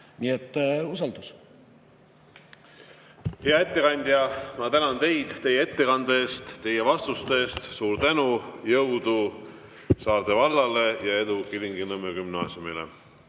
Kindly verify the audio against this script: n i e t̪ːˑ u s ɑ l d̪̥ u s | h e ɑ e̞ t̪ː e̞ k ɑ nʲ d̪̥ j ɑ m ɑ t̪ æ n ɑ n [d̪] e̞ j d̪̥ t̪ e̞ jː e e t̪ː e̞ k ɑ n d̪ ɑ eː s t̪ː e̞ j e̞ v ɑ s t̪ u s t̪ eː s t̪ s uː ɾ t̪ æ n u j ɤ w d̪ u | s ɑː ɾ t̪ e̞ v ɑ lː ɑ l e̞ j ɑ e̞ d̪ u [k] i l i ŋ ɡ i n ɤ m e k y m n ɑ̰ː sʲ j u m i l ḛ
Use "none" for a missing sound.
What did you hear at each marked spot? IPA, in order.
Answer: t̪, k

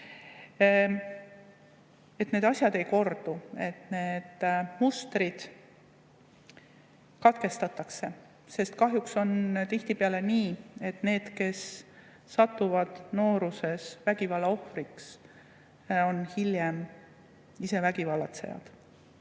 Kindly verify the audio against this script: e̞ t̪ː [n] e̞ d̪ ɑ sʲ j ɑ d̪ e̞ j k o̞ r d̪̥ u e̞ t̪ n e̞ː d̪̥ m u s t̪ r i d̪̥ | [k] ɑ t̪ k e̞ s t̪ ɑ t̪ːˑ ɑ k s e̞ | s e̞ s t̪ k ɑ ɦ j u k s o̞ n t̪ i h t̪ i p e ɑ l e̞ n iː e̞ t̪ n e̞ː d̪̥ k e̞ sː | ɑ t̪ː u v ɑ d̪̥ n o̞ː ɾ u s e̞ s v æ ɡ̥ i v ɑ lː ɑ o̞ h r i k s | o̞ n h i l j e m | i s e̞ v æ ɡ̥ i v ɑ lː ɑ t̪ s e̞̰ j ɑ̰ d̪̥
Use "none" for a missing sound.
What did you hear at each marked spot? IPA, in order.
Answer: n, k

